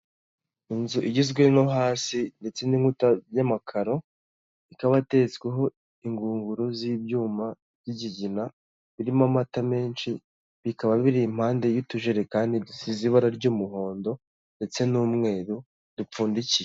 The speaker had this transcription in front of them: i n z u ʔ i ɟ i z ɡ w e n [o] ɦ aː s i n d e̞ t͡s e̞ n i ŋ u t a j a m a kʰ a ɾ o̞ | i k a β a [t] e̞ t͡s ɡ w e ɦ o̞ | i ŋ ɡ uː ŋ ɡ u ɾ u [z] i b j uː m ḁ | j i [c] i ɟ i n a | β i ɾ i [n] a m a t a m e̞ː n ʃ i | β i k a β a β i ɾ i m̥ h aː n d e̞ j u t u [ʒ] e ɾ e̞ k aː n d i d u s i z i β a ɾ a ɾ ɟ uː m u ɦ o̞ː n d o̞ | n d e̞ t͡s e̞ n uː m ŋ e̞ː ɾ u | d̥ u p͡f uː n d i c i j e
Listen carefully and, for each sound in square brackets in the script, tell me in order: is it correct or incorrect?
correct, correct, correct, incorrect: ɟ, incorrect: m, correct

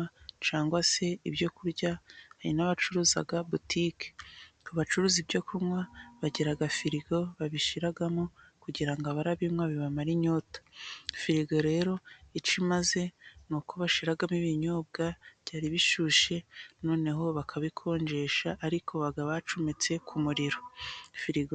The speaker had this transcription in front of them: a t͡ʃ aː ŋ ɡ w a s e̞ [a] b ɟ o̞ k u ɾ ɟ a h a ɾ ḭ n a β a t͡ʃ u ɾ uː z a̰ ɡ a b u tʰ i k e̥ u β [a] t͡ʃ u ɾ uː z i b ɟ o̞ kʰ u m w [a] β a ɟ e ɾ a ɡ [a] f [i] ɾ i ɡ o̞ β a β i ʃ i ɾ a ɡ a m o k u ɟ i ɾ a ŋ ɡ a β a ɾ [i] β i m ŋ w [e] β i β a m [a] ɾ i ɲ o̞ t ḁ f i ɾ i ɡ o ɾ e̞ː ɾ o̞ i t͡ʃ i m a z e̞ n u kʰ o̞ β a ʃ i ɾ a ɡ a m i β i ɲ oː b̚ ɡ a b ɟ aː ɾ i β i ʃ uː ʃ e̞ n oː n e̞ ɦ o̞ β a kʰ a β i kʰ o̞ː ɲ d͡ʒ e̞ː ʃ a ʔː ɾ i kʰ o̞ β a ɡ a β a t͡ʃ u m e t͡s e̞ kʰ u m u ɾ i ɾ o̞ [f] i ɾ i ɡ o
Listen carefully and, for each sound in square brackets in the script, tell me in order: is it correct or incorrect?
incorrect: i, correct, correct, correct, correct, incorrect: a, incorrect: a, correct, correct

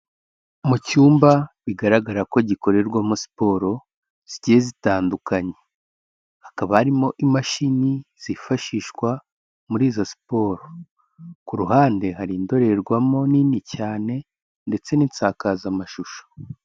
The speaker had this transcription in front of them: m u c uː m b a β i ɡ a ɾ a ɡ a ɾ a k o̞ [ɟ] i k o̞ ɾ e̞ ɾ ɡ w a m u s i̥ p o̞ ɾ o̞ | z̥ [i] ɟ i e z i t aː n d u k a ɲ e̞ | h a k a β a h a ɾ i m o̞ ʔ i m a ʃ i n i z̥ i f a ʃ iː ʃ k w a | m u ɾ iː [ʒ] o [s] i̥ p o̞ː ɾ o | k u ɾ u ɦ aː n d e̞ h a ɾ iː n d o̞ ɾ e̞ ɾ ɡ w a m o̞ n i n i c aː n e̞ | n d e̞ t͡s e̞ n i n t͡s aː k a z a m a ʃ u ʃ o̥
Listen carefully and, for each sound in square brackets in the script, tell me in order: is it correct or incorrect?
correct, correct, incorrect: z, correct

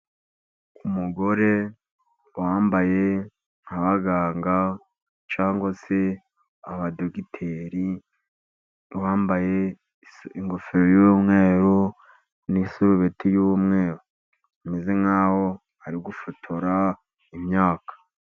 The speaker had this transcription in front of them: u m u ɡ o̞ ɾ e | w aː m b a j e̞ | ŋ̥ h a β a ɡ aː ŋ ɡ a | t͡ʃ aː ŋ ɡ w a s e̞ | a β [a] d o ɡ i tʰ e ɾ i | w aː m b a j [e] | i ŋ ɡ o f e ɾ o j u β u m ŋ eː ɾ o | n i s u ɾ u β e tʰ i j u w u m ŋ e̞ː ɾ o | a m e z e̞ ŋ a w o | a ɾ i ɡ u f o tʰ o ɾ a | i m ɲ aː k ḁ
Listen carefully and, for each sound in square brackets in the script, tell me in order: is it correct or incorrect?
correct, correct

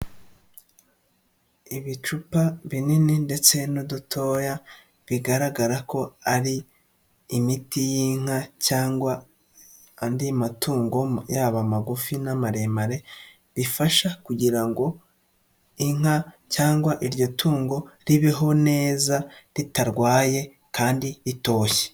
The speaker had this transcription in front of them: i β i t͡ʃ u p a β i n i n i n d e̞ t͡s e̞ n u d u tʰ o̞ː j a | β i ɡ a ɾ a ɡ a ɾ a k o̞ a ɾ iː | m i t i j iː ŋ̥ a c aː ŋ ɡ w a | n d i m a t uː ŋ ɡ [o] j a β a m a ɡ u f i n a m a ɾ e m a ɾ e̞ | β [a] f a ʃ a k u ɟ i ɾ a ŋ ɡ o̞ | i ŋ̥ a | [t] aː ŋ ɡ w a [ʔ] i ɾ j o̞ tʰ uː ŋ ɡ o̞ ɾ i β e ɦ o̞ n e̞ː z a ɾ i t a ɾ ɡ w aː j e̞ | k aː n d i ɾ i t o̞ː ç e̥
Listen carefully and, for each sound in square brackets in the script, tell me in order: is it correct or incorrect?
correct, incorrect: i, incorrect: c, correct

